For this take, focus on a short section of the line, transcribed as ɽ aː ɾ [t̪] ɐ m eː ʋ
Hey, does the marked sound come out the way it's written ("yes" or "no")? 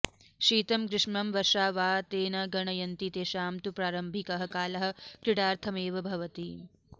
no